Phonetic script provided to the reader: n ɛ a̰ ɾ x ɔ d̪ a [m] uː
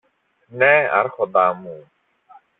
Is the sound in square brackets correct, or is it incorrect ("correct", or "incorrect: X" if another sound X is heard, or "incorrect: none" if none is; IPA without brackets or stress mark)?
correct